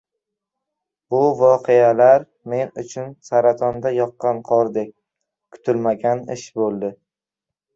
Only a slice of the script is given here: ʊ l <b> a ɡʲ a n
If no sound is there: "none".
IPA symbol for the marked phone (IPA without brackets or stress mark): m